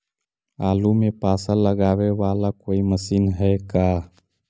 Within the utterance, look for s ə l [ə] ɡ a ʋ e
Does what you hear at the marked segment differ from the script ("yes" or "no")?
no